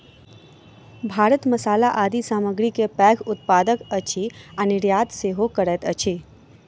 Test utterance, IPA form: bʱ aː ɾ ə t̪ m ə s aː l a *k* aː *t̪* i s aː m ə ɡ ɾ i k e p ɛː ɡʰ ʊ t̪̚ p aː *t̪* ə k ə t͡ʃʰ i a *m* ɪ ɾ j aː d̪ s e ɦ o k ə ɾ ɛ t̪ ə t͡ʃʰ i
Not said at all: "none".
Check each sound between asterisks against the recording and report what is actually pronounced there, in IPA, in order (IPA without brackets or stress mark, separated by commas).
ʔ, d̪, d̪, n